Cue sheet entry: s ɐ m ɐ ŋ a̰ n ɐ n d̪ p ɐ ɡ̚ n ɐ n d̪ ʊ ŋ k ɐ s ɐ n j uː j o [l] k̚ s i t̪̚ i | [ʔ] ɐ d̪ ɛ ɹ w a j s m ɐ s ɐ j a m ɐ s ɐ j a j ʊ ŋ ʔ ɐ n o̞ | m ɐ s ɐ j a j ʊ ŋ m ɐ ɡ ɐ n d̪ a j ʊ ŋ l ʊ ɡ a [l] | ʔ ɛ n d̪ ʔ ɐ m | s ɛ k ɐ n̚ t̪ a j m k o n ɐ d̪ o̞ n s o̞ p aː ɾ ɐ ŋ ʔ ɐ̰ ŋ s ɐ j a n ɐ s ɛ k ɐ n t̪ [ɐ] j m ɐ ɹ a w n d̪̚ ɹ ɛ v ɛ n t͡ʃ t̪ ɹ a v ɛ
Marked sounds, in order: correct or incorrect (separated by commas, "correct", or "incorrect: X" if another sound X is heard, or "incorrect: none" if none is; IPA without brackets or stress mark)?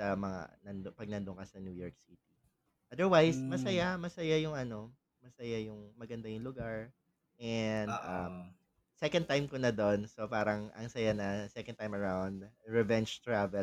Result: incorrect: ɹ, correct, incorrect: ɹ, incorrect: a